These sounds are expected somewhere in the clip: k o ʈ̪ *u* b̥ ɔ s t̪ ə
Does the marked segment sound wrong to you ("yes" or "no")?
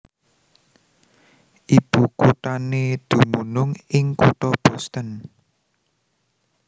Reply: yes